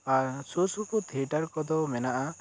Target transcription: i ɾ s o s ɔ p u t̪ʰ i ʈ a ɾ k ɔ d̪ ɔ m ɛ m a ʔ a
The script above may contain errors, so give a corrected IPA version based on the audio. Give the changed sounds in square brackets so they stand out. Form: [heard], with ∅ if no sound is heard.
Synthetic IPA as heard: [a] ɾ s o s [u] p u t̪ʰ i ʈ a ɾ k ɔ d̪ ɔ m ɛ [n] a ʔ a